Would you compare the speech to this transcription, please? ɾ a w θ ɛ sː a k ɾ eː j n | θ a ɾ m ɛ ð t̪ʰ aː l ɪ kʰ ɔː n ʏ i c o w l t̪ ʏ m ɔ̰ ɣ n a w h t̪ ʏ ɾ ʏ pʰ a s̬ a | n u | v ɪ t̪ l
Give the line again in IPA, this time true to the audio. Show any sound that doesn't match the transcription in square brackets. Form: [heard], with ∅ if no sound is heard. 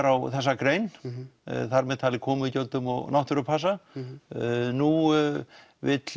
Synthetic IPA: ɾ a w θ ɛ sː a k ɾ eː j n | θ a ɾ m ɛ ð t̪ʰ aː l ɪ kʰ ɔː [m] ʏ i c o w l t̪ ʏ m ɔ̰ ɣ n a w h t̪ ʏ ɾ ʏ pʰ a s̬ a | n u | v ɪ t̪ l